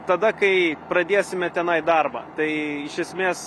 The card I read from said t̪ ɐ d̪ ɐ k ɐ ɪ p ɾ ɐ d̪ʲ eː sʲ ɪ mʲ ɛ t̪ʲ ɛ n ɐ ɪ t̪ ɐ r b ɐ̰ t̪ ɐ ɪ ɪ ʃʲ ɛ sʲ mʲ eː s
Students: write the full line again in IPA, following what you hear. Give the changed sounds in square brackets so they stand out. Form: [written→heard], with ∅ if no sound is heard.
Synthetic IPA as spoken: t̪ ɐ d̪ ɐ k ɐ ɪ p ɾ ɐ d̪ʲ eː sʲ ɪ mʲ ɛ t̪ʲ ɛ n ɐ ɪ [t̪→d̪] ɐ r b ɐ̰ t̪ ɐ ɪ ɪ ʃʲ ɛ sʲ mʲ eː s